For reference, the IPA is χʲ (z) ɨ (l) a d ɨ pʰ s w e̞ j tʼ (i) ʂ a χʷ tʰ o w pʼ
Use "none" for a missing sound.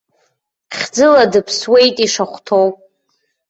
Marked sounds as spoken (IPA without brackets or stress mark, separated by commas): d͡z, l, i